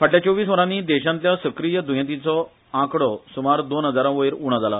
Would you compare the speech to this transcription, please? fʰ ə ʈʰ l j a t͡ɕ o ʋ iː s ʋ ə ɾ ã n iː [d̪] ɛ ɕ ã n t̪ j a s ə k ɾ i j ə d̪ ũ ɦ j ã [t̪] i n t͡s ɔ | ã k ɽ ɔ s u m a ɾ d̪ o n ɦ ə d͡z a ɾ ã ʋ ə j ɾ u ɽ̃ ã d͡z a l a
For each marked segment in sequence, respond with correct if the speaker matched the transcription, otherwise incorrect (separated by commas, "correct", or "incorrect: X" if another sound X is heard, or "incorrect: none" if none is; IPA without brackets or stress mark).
correct, correct